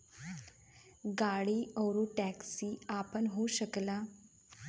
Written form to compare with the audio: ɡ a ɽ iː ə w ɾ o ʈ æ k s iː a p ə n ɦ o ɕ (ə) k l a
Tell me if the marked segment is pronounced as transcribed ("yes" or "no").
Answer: yes